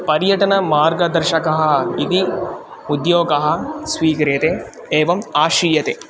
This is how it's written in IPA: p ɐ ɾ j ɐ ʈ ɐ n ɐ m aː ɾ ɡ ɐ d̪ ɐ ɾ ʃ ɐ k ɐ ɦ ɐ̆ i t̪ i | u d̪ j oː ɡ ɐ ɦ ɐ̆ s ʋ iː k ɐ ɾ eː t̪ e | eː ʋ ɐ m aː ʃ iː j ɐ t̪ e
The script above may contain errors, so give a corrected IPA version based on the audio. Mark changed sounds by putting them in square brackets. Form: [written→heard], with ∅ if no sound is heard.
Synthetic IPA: p ɐ ɾ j ɐ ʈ ɐ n ɐ m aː ɾ ɡ ɐ d̪ ɐ ɾ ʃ ɐ k ɐ ɦ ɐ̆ i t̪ i | u d̪ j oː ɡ ɐ ɦ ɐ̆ s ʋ iː k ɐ ɾ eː t̪ e | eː ʋ ɐ m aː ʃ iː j ɐ t̪ e

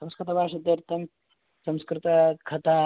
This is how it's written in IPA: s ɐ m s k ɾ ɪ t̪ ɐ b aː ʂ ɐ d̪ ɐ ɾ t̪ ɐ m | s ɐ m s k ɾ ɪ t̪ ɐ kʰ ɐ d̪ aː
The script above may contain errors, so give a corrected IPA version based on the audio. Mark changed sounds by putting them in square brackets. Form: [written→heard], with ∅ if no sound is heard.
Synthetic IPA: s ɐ m s k ɾ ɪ t̪ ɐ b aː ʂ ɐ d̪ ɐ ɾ t̪ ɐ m | s ɐ m s k ɾ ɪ t̪ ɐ kʰ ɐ [d̪→t̪] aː

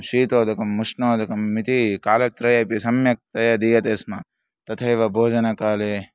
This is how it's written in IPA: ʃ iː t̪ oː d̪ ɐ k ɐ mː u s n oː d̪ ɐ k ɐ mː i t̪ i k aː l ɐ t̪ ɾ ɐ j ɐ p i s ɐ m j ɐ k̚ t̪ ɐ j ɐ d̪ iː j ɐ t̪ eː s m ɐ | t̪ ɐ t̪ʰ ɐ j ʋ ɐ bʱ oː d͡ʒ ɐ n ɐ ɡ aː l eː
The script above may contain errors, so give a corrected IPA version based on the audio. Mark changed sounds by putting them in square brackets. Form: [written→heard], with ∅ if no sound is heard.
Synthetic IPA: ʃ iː t̪ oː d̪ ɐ k ɐ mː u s n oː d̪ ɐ k ɐ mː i t̪ i k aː l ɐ t̪ ɾ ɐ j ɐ p i s ɐ m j ɐ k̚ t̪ ɐ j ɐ d̪ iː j ɐ t̪ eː s m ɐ | t̪ ɐ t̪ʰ ɐ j ʋ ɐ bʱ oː d͡ʒ ɐ n ɐ [ɡ→k] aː l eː

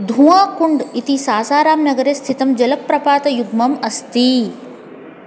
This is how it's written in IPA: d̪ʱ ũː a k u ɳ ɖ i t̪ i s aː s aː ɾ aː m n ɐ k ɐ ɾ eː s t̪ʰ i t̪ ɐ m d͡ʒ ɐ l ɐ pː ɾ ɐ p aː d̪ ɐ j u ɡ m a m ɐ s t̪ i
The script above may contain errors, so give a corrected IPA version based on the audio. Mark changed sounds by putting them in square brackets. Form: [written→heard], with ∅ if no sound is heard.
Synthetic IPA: d̪ʱ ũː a k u ɳ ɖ i t̪ i s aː s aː ɾ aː m n ɐ [k→ɡ] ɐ ɾ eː s t̪ʰ i t̪ ɐ m d͡ʒ ɐ l ɐ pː ɾ ɐ p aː [d̪→t̪] ɐ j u ɡ m [a→ɐ] m ɐ s t̪ i

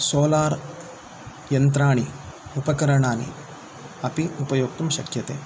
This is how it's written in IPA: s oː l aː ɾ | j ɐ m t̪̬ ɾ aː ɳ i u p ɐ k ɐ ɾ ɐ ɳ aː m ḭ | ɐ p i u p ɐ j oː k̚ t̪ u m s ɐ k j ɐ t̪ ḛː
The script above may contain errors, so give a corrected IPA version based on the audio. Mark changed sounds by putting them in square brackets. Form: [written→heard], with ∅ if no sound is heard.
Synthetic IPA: s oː l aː ɾ | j ɐ [m→n] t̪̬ ɾ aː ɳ i u p ɐ k ɐ ɾ ɐ ɳ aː [m→n] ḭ | ɐ p i u p ɐ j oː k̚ t̪ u m [s→ʃ] ɐ k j ɐ t̪ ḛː

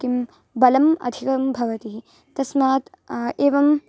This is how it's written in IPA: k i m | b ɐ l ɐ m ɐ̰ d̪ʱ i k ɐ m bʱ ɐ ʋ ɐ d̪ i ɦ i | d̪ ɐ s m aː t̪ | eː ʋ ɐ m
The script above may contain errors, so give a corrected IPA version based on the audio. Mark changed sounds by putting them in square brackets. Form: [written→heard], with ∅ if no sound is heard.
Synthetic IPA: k i m | b ɐ l ɐ m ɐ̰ d̪ʱ i k ɐ m bʱ ɐ ʋ ɐ [d̪→t̪] i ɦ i | [d̪→t̪] ɐ s m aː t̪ | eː ʋ ɐ m

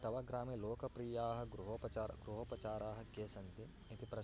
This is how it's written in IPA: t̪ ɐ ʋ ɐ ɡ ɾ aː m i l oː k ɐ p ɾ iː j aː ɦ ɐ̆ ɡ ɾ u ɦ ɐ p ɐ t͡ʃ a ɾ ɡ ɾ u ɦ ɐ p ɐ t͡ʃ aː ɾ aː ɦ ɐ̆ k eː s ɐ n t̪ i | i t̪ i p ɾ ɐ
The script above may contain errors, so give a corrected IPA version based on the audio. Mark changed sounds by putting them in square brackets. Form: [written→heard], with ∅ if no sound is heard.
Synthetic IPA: t̪ ɐ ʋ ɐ ɡ ɾ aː m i l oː k ɐ p ɾ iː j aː ɦ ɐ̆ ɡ ɾ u ɦ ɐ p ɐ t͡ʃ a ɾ ɡ ɾ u ɦ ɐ p ɐ t͡ʃ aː ɾ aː ɦ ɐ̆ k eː s ɐ n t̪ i | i t̪ i p ɾ ɐ

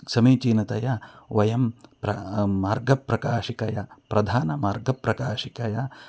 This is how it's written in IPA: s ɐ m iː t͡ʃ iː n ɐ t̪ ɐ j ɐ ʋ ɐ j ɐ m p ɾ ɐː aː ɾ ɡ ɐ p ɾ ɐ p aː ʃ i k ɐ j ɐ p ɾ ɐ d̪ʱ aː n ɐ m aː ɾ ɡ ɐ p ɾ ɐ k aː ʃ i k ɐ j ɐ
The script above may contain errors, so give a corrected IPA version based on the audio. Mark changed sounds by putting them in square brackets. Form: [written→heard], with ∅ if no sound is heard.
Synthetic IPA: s ɐ m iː t͡ʃ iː n ɐ t̪ ɐ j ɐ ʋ ɐ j ɐ m p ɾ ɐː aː ɾ ɡ ɐ p ɾ ɐ [p→k] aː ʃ i k ɐ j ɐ p ɾ ɐ d̪ʱ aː n ɐ m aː ɾ ɡ ɐ p ɾ ɐ k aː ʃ i k ɐ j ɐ

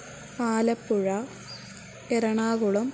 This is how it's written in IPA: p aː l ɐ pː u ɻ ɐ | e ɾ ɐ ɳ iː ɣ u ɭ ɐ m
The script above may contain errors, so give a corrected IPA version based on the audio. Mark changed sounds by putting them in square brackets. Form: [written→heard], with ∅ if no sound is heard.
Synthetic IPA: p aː l ɐ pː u ɻ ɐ | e ɾ ɐ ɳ [iː→aː] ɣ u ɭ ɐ m

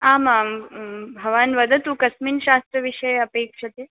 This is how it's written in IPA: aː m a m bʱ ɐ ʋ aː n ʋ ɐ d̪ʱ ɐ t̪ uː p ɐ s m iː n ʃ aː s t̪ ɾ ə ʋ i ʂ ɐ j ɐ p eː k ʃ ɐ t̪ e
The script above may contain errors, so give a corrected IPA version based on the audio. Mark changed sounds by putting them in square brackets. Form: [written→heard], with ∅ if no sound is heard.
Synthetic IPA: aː m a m bʱ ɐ ʋ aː n ʋ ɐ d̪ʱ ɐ t̪ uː [p→k] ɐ s m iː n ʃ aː s t̪ ɾ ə ʋ i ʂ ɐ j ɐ p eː k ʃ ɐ t̪ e

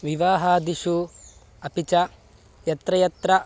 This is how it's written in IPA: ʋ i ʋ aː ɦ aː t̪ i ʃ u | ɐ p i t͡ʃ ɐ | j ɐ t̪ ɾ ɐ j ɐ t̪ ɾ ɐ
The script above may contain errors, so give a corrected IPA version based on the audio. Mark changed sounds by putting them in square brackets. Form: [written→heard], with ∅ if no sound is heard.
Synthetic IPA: ʋ i ʋ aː ɦ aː [t̪→d̪] i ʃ u | ɐ p i t͡ʃ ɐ | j ɐ t̪ ɾ ɐ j ɐ t̪ ɾ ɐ

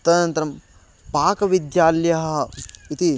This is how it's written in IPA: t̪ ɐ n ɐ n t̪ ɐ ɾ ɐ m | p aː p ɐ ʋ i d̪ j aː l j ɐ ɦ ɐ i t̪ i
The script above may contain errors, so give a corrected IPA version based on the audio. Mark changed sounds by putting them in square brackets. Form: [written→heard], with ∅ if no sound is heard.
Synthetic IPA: t̪ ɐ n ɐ n t̪ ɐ ɾ ɐ m | p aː [p→k] ɐ ʋ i d̪ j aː l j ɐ ɦ ɐ i t̪ i

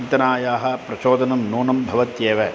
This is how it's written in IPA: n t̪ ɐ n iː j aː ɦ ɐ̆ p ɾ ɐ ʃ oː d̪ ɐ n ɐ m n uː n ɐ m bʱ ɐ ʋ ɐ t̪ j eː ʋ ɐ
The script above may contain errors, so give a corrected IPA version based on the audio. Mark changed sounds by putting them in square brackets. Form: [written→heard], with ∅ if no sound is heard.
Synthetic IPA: n t̪ ɐ n [iː→aː] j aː ɦ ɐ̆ p ɾ ɐ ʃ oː d̪ ɐ n ɐ m n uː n ɐ m bʱ ɐ ʋ ɐ t̪ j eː ʋ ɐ

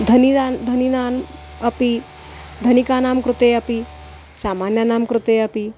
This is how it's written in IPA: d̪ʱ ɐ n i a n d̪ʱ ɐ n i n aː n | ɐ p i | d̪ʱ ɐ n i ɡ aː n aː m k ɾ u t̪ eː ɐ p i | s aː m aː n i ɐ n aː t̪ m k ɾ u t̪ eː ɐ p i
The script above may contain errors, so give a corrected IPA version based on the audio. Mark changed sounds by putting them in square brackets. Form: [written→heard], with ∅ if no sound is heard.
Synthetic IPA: d̪ʱ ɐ n i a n d̪ʱ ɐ n i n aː n | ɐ p i | d̪ʱ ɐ n i [ɡ→k] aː n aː m k ɾ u t̪ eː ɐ p i | s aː m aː n [i→j] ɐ n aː [t̪→∅] m k ɾ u t̪ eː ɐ p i

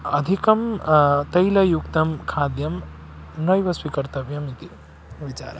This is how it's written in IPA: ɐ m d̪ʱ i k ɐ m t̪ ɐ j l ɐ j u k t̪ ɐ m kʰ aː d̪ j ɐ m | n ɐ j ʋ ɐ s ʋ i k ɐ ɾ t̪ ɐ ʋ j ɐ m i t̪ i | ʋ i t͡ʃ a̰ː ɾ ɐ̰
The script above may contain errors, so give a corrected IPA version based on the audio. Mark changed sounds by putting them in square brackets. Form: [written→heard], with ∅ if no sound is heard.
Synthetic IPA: ɐ [m→∅] d̪ʱ i k ɐ m t̪ ɐ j l ɐ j u k t̪ ɐ m kʰ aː d̪ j ɐ m | n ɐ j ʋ ɐ s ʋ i k ɐ ɾ t̪ ɐ ʋ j ɐ m i t̪ i | ʋ i t͡ʃ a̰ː ɾ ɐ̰

